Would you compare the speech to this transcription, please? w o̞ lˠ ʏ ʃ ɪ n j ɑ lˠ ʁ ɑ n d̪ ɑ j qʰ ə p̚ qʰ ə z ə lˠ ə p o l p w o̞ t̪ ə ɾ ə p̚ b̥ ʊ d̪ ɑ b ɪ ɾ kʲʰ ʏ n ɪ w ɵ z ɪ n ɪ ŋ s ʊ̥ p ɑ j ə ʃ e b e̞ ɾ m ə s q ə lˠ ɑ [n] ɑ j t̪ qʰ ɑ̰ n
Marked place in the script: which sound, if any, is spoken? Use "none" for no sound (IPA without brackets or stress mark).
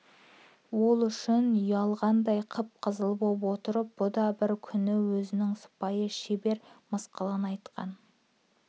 n